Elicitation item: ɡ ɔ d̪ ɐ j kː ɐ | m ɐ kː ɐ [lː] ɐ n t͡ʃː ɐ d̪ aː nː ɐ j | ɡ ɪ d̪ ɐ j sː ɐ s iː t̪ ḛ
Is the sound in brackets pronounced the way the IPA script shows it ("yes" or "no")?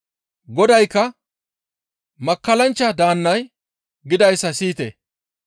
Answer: no